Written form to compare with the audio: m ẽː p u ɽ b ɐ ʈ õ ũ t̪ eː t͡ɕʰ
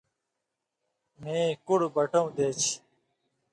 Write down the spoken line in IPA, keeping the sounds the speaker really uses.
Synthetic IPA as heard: m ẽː k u ɽ b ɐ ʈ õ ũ d̪ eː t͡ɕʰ